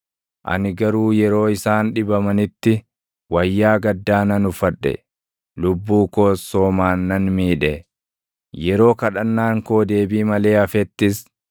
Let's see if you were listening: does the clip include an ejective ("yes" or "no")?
no